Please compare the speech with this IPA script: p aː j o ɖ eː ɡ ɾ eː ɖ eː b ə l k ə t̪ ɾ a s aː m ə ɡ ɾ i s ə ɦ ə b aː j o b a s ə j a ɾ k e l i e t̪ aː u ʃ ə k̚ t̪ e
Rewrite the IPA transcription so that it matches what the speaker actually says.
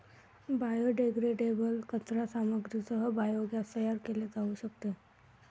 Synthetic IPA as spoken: b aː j o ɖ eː ɡ ɾ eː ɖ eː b ə l k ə t̪ ɾ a s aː m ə ɡ ɾ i s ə ɦ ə b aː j o ɡ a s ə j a ɾ k e l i e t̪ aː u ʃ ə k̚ t̪ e